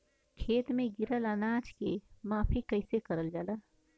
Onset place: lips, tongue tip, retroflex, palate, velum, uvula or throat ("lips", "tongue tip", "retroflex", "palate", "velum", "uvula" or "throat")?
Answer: velum